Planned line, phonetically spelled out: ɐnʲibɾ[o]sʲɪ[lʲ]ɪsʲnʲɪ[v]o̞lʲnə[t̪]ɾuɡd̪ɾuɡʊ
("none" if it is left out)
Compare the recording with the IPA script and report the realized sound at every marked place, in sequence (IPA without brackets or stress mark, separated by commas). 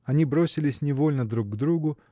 o, lʲ, v, d̪